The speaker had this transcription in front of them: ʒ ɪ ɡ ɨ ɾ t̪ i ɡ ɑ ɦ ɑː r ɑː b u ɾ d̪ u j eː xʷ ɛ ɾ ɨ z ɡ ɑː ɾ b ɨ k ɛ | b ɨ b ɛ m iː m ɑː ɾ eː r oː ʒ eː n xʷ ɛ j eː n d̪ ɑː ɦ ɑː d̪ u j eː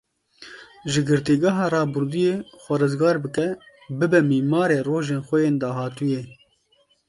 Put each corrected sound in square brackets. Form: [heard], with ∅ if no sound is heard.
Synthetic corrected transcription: ʒ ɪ ɡ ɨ ɾ t̪ i ɡ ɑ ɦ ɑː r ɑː b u ɾ d̪ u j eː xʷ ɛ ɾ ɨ z ɡ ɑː ɾ b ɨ k ɛ | b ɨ b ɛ m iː m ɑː ɾ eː r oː ʒ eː n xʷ ɛ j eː n d̪ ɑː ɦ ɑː [t̪] u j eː